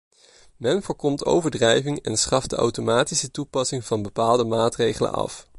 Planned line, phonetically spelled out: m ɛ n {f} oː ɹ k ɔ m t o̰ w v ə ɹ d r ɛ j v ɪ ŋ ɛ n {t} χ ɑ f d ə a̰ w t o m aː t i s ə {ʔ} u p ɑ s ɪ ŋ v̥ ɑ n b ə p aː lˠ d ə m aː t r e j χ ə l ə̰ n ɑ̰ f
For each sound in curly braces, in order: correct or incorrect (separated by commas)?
incorrect, incorrect, incorrect